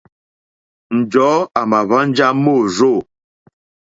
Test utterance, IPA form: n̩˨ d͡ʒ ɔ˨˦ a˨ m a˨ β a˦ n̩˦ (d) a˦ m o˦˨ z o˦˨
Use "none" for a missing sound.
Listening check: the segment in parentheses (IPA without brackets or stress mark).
d͡ʒ